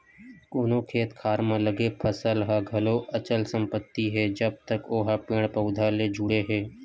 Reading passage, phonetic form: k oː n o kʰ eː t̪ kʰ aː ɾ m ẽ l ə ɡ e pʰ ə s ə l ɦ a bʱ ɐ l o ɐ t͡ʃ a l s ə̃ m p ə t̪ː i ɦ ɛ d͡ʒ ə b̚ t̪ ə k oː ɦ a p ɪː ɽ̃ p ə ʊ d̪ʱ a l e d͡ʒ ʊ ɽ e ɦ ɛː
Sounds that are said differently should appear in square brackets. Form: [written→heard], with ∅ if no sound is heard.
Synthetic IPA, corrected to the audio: k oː n o kʰ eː t̪ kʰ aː ɾ m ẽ l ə ɡ e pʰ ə s ə l ɦ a [bʱ→ɡʱ] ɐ l o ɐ t͡ʃ [a→ə] l s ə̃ m p ə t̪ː i ɦ ɛ d͡ʒ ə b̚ t̪ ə k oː ɦ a p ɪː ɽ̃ p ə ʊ d̪ʱ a l e d͡ʒ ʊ ɽ e ɦ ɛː